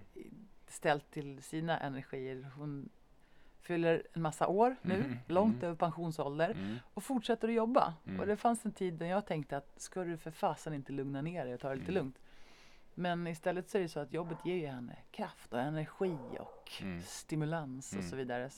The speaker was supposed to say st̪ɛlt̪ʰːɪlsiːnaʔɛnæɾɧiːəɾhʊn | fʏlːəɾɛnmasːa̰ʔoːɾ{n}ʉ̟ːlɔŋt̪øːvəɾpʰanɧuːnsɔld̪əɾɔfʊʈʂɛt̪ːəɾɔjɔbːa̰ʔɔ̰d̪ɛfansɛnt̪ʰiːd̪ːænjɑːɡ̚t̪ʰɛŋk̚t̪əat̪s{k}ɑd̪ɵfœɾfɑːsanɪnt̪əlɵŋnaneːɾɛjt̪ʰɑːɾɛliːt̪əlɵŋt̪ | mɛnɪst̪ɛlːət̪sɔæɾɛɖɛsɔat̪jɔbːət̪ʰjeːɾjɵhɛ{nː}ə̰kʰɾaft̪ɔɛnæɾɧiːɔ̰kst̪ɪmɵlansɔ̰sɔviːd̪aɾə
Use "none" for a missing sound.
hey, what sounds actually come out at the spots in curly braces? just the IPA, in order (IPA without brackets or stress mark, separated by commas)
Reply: n, k, nː